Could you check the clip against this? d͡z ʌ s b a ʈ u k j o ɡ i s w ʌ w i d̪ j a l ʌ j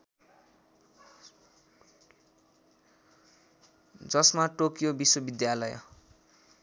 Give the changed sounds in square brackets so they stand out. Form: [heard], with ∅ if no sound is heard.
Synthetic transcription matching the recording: d͡z ʌ s [m] a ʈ [o] k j o [b] i s w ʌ [b] i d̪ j a l ʌ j